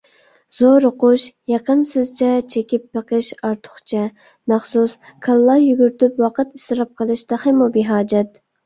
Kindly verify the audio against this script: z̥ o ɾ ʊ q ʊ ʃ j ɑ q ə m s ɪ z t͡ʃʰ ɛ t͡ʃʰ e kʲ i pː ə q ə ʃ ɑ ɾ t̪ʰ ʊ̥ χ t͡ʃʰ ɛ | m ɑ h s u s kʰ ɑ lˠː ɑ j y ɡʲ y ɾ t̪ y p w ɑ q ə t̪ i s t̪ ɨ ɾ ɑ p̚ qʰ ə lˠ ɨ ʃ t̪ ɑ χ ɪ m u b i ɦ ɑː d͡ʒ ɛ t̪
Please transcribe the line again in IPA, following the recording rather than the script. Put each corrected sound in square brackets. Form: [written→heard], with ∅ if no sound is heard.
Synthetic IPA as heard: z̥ o ɾ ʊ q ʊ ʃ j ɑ q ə m s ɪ z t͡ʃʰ ɛ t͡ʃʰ e kʲ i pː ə q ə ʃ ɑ ɾ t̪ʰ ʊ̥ χ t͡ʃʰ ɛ | m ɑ [h→χ] s u s kʰ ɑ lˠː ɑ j y ɡʲ y ɾ t̪ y p w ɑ q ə t̪ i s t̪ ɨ ɾ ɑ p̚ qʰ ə lˠ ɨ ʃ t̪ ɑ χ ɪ m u b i ɦ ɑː d͡ʒ ɛ t̪

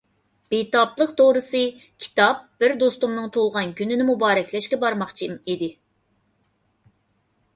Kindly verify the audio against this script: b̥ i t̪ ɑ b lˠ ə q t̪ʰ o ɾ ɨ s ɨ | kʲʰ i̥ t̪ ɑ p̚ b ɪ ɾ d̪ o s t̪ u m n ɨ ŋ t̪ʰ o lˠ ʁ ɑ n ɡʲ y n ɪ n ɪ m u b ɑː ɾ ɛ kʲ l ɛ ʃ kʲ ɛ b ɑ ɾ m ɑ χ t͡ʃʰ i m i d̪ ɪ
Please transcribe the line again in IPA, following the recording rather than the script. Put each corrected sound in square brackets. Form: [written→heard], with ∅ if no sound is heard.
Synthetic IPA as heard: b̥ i t̪ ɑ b lˠ ə q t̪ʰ o ɾ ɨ s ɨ | kʲʰ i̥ t̪ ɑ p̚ b ɪ ɾ d̪ o s t̪ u m n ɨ ŋ t̪ʰ o lˠ ʁ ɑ n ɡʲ y n ɪ n ɪ m u b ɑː ɾ ɛ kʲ l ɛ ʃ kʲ ɛ b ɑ ɾ m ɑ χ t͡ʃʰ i m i d̪ ɪ

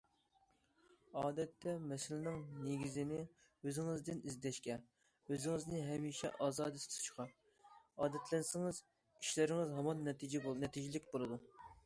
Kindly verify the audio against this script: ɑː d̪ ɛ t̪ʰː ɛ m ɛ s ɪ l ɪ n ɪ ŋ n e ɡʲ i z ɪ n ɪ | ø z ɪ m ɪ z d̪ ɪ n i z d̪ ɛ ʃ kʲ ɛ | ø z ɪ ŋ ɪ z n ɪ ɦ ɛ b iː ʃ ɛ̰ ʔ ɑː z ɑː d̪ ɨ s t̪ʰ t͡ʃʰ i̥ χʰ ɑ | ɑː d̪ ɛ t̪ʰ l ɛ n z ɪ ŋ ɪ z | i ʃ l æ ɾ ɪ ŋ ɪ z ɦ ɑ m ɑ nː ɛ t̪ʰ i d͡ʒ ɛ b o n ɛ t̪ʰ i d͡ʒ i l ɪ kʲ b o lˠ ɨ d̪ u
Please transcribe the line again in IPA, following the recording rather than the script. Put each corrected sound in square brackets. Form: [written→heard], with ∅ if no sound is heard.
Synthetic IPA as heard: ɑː d̪ ɛ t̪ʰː ɛ m ɛ s ɪ l ɪ n ɪ ŋ n e ɡʲ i z ɪ n ɪ | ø z ɪ [m→ŋ] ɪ z d̪ ɪ n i z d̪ ɛ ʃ kʲ ɛ | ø z ɪ ŋ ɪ z n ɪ ɦ ɛ [b→m] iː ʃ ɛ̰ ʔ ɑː z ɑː d̪ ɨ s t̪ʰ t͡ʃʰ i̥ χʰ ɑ | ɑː d̪ ɛ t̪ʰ l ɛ n [z→s] ɪ ŋ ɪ z | i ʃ l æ ɾ ɪ ŋ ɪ z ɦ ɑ m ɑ nː ɛ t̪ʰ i d͡ʒ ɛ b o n ɛ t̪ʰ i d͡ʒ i l ɪ kʲ b o lˠ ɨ d̪ u

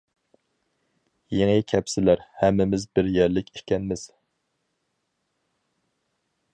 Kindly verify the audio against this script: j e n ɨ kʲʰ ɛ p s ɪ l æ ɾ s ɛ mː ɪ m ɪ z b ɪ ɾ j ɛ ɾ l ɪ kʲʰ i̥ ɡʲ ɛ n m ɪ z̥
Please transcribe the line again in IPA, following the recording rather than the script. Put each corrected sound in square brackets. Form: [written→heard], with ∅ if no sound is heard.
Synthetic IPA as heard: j e [n→ŋ] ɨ kʲʰ ɛ p s ɪ l æ ɾ [s→h] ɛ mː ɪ m ɪ z b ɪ ɾ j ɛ ɾ l ɪ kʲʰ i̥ [ɡʲ→kʲ] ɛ n m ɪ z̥

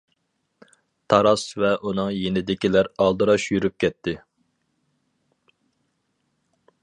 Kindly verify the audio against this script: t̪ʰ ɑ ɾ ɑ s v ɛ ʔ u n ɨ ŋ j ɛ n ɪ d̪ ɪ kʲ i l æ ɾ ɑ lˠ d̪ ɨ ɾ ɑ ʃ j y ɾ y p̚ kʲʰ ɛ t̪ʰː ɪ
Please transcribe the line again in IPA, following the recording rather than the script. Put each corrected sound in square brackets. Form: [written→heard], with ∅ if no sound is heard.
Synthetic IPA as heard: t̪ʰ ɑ ɾ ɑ s v ɛ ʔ u n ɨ ŋ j [ɛ→e] n ɪ d̪ ɪ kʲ i l æ ɾ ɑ lˠ d̪ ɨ ɾ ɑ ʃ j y ɾ y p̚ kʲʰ ɛ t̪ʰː ɪ

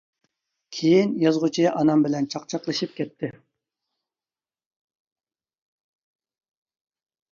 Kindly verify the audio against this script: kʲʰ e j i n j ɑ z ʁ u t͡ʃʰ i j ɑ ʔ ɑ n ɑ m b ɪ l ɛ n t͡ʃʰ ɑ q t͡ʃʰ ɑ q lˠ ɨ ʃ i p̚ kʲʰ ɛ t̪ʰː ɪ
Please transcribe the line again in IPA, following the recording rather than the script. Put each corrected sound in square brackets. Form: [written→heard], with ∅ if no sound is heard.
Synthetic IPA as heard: kʲʰ e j i n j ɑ z ʁ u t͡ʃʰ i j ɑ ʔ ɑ n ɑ m b ɪ l ɛ n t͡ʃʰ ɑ q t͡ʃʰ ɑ q lˠ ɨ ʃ i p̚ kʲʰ ɛ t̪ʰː ɪ

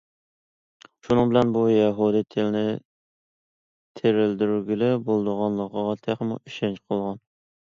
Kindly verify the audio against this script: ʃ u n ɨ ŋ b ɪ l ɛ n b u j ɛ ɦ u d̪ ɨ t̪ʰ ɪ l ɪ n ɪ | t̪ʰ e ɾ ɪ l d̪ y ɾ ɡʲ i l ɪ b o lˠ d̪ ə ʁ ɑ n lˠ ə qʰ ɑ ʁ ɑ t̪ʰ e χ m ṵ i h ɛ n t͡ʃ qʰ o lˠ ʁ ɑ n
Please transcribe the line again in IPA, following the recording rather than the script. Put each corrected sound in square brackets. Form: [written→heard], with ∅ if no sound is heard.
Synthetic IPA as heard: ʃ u n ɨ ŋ b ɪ l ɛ n b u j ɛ ɦ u d̪ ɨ t̪ʰ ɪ l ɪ n ɪ | t̪ʰ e ɾ ɪ l d̪ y ɾ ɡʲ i l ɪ b o lˠ d̪ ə ʁ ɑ n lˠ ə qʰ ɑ ʁ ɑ t̪ʰ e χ m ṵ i [h→ʃ] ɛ n t͡ʃ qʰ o lˠ ʁ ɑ n

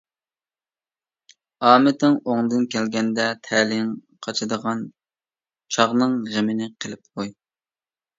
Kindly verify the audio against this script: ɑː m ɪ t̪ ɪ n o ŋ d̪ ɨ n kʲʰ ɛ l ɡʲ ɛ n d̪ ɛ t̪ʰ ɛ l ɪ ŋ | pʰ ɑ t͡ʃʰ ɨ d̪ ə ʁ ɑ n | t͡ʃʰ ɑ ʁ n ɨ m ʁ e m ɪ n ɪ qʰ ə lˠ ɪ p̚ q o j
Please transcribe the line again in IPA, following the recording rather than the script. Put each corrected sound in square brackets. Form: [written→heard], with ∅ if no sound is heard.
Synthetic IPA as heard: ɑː m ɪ t̪ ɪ [n→ŋ] o ŋ d̪ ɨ n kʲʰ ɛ l ɡʲ ɛ n d̪ ɛ t̪ʰ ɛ l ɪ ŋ | [pʰ→qʰ] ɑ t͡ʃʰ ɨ d̪ ə ʁ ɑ n | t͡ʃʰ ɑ ʁ n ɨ [m→ŋ] ʁ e m ɪ n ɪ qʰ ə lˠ ɪ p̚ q o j

